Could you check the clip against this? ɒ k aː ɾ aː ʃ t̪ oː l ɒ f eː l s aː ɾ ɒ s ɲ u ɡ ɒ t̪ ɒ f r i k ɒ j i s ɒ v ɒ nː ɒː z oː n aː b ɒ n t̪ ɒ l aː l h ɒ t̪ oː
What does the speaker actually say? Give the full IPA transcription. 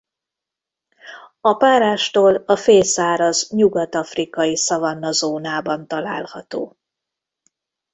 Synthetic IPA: ɒ p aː ɾ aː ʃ t̪ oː l ɒ f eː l s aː ɾ ɒ z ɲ u ɡ ɒ t̪ ɒ f r i k ɒ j i s ɒ v ɒ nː ɒ z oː n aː b ɒ n t̪ ɒ l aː l h ɒ t̪ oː